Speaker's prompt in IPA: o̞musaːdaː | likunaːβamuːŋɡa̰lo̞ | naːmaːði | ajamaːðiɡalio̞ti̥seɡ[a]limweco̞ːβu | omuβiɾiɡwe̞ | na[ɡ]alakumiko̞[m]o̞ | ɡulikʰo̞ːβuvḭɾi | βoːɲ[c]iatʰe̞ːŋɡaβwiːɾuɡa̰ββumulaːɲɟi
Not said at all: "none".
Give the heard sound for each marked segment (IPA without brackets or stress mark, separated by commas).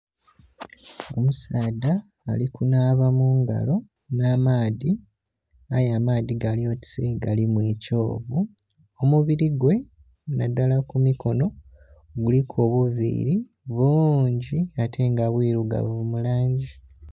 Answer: a, d, n, ɟ